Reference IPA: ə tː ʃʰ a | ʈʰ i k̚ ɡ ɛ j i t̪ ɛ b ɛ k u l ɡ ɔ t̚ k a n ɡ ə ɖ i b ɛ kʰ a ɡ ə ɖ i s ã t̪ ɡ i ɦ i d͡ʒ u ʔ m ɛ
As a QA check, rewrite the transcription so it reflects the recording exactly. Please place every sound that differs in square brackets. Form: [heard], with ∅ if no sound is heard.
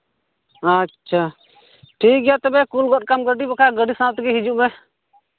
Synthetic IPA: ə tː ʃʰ a | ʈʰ i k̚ ɡ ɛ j [a] t̪ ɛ b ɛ k u l ɡ ɔ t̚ k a [m] ɡ ə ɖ i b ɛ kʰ a ɡ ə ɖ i s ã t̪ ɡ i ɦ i d͡ʒ u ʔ m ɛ